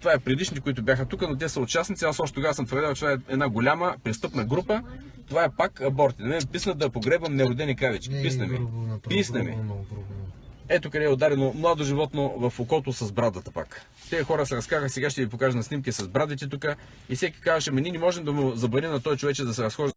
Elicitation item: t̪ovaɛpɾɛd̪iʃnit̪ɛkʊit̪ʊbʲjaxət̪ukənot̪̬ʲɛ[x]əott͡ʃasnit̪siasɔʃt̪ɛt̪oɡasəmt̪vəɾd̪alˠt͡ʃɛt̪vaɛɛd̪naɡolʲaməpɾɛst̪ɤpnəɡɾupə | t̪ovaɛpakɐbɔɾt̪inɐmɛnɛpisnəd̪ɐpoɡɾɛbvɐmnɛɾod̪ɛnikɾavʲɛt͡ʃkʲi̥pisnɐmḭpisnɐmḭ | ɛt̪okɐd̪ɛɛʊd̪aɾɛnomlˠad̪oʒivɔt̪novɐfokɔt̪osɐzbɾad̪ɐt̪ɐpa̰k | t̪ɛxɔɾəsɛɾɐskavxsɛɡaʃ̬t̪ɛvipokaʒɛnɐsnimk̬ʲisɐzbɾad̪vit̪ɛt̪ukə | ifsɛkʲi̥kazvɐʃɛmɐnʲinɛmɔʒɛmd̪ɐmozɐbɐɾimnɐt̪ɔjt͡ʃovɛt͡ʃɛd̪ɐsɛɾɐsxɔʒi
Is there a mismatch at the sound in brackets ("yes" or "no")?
yes